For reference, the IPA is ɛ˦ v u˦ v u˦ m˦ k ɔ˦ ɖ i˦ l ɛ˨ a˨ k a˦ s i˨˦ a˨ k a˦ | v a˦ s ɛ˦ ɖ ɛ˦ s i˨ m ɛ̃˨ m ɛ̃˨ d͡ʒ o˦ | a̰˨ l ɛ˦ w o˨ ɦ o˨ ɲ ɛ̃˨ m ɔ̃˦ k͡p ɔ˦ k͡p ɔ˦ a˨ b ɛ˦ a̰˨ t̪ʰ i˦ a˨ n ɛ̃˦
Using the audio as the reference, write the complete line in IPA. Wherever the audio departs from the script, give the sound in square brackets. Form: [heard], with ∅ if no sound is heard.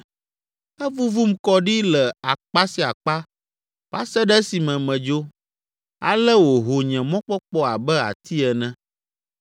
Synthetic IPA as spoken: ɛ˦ v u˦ v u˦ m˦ k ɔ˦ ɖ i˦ l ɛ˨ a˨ [k͡p] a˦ s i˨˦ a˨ [k͡p] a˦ | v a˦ s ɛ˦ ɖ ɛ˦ s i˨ m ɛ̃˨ m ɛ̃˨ d͡ʒ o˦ | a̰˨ l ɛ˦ w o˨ ɦ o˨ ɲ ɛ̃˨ m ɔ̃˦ k͡p ɔ˦ k͡p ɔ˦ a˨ b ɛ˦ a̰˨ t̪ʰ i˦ [ɛ˨] n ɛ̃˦